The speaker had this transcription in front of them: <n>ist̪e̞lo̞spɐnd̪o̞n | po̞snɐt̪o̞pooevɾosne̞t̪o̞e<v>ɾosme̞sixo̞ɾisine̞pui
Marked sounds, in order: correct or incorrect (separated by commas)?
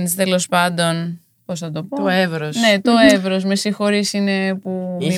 correct, correct